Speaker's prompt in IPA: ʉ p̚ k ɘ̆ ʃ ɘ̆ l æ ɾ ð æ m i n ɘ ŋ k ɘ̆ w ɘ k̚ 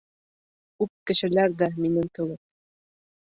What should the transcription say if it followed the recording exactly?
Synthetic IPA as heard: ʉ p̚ k ɘ̆ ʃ ɘ̆ l æ ɾ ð æ m i n ɘ ŋ k ɘ̆ w ɘ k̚